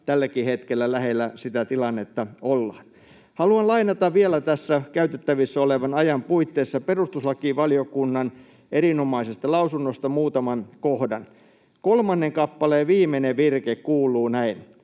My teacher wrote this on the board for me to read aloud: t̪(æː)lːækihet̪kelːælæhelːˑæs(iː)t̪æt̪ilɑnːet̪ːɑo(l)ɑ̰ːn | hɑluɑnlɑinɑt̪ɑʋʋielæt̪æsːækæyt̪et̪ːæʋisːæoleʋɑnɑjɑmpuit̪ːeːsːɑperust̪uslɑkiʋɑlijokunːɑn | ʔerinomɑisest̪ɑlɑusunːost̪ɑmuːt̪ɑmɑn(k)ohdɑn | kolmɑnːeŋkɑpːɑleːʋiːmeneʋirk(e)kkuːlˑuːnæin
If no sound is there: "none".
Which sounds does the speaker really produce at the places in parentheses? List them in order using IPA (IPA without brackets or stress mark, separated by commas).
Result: æ, i, lː, k, e